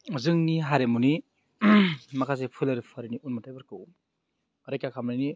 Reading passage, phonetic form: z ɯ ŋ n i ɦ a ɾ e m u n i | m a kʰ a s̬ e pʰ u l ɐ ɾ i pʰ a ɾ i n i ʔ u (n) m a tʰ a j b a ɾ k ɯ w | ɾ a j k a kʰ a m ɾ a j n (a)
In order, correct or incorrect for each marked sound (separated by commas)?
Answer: correct, incorrect